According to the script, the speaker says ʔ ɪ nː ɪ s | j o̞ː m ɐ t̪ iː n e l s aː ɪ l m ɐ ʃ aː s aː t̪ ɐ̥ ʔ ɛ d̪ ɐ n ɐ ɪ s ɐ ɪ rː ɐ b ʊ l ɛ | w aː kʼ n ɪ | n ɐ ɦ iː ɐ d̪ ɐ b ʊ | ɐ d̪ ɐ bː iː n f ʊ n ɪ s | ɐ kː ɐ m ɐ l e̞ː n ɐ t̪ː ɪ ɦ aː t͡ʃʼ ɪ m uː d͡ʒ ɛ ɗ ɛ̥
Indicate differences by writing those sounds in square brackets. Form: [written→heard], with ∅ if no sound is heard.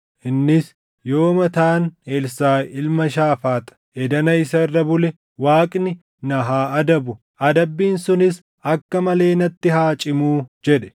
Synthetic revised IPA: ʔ ɪ nː ɪ s | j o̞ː m ɐ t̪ [iː→aː] n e l s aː ɪ l m ɐ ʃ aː [s→f] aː t̪ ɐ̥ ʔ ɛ d̪ ɐ n ɐ ɪ s ɐ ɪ rː ɐ b ʊ l ɛ | w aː kʼ n ɪ | n ɐ ɦ [iː→aː] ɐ d̪ ɐ b ʊ | ɐ d̪ ɐ bː iː n [f→s] ʊ n ɪ s | ɐ kː ɐ m ɐ l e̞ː n ɐ t̪ː ɪ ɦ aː t͡ʃʼ ɪ m uː d͡ʒ ɛ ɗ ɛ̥